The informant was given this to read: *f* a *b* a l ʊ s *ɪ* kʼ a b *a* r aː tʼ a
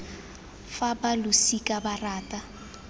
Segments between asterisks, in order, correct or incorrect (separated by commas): correct, correct, incorrect, correct